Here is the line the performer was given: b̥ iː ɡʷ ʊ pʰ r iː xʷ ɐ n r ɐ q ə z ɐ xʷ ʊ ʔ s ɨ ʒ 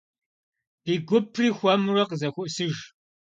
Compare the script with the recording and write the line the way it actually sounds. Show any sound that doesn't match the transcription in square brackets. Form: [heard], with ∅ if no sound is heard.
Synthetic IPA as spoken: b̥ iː ɡʷ ʊ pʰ r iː xʷ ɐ [m] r ɐ q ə z ɐ xʷ ʊ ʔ s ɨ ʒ